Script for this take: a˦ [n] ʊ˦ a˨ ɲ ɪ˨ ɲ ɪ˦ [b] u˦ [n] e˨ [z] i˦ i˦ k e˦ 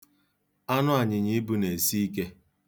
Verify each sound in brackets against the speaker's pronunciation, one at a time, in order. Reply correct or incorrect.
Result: correct, correct, correct, incorrect: s

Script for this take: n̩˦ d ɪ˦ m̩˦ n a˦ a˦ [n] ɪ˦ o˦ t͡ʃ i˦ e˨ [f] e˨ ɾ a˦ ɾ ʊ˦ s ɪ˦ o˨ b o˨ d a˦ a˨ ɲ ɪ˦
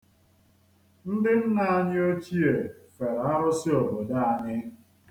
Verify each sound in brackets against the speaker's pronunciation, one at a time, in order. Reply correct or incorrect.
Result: incorrect: ɲ, correct

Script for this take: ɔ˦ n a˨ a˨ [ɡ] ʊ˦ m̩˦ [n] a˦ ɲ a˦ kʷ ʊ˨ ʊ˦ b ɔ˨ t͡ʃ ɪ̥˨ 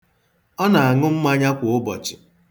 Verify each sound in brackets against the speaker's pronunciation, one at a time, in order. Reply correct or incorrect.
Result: incorrect: ŋ, incorrect: m

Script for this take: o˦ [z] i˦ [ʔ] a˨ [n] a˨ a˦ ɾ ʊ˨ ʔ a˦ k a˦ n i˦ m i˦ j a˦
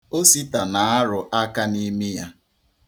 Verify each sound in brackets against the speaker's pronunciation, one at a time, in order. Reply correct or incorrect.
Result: incorrect: s, incorrect: t, correct

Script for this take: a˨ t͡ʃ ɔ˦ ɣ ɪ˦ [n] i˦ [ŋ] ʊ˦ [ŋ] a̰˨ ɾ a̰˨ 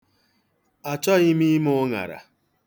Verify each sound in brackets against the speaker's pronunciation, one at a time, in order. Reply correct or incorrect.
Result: incorrect: m, incorrect: m, correct

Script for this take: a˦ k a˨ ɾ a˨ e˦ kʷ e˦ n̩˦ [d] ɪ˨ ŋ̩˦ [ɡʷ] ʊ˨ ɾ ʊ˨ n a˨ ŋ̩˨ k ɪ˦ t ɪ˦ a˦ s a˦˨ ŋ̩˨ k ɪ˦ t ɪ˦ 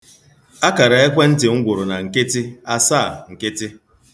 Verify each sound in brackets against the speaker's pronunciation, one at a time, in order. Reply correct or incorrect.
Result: incorrect: t, correct

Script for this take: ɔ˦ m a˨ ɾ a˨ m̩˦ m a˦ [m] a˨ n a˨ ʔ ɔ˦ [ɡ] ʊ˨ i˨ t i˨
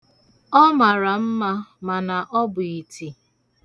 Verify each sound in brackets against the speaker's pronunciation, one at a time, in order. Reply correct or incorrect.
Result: correct, incorrect: b

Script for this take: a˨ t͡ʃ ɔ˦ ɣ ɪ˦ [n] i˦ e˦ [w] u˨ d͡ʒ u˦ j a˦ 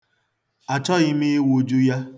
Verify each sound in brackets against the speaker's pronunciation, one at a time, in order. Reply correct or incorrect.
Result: incorrect: m, correct

